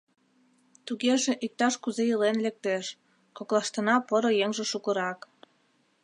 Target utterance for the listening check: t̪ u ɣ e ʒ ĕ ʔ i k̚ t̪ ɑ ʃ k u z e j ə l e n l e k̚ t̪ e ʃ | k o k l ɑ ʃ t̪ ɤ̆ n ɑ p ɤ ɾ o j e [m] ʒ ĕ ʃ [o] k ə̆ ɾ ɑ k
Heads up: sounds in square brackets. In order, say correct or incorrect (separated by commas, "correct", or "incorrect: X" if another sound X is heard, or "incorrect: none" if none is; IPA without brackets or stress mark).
incorrect: ŋ, incorrect: u